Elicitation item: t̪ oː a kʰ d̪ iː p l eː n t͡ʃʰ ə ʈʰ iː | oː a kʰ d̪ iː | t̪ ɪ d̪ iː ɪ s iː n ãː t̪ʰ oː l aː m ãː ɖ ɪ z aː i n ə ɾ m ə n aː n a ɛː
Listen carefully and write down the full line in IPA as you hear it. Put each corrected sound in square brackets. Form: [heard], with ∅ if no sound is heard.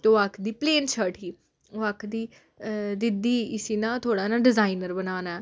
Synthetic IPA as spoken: t̪ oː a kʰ d̪ iː p l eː n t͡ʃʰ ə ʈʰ iː | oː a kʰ d̪ iː | [d̪] ɪ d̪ iː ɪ s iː n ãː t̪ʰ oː [ɽ] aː [n] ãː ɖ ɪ z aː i n ə ɾ [b] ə n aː n a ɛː